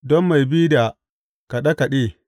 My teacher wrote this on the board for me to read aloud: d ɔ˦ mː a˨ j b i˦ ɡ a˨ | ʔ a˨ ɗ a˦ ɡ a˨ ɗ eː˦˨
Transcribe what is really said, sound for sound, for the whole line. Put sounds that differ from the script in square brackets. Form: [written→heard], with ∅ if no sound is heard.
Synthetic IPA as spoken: d ɔ˦ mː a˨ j b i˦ [ɡ→d] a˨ | [ʔ→k] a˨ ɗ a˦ [ɡ→k] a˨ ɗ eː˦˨